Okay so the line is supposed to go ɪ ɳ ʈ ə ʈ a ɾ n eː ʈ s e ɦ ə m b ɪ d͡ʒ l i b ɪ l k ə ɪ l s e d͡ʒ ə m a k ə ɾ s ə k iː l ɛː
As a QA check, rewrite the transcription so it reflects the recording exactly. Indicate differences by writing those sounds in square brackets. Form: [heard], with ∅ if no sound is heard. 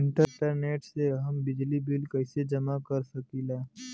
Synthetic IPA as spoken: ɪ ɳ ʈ ə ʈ [ə] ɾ n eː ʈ s e ɦ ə m b ɪ d͡ʒ l i b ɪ l k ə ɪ [∅] s e d͡ʒ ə m a k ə ɾ s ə k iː l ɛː